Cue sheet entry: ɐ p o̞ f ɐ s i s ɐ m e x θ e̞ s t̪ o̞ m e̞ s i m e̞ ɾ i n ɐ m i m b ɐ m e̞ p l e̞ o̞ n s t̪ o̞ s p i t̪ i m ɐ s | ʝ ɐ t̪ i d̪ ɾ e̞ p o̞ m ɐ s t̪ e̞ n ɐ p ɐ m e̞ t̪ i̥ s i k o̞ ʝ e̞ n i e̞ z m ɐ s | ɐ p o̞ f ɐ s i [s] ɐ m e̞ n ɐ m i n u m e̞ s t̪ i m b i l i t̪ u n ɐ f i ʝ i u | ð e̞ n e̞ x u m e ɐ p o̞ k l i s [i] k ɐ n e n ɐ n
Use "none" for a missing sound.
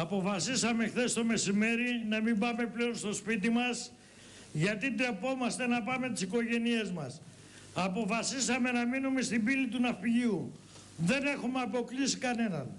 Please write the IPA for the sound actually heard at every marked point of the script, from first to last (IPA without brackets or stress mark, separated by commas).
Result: s, i